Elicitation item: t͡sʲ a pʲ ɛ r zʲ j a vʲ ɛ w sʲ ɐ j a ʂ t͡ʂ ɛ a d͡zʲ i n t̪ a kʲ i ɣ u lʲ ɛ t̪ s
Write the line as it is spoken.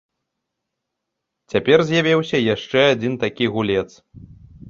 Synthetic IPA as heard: t͡sʲ a pʲ ɛ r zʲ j a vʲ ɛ w sʲ ɐ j a ʂ t͡ʂ ɛ a d͡zʲ i n t̪ a kʲ i ɣ u lʲ ɛ t̪ s